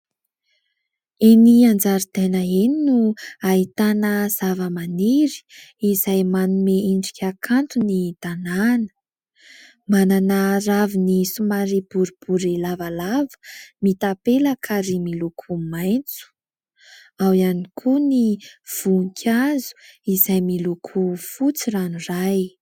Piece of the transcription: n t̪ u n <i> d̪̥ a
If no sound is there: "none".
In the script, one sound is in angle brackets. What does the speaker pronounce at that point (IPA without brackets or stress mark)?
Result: i